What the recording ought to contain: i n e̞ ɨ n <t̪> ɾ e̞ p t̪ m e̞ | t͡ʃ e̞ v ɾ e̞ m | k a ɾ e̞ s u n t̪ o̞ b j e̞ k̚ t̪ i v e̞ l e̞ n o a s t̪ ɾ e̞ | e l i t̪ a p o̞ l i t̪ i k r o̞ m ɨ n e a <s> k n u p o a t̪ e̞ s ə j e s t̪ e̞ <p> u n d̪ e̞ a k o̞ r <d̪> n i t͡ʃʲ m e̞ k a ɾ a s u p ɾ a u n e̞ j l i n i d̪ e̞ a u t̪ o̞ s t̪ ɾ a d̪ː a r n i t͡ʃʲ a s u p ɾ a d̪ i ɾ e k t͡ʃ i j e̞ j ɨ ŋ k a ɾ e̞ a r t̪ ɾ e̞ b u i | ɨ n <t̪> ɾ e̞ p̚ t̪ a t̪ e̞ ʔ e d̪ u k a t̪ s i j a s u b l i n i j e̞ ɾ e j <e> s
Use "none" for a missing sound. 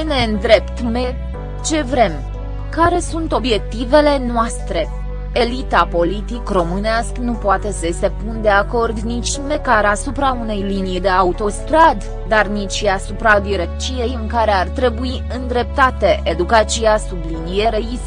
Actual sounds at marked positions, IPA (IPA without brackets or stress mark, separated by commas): d̪, s, p, d̪, d̪, i